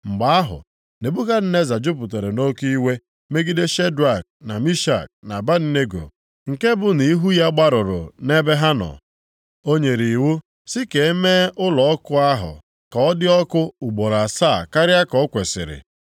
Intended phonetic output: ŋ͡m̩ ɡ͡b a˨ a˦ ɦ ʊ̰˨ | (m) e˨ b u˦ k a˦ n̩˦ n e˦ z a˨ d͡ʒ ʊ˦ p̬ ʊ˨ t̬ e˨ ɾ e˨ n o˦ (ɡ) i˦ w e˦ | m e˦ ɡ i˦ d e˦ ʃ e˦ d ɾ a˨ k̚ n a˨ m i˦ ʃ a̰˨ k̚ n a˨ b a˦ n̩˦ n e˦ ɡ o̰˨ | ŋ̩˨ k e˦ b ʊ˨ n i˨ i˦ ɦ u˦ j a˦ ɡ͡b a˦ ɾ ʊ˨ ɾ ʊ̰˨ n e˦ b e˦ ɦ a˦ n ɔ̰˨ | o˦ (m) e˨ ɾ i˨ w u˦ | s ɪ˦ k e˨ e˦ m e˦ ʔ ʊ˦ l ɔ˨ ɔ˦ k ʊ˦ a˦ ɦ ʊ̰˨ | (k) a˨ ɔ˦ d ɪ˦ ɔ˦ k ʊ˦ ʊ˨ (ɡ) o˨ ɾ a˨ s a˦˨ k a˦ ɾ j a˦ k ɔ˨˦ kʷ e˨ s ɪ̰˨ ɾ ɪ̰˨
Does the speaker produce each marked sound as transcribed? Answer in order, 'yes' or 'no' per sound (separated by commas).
no, no, no, yes, no